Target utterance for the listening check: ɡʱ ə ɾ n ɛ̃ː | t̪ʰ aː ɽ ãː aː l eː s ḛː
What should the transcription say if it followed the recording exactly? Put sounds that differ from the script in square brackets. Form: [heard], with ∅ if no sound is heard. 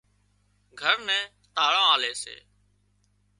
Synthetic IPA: ɡʱ ə ɾ n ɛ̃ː | [t̪] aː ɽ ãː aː l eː s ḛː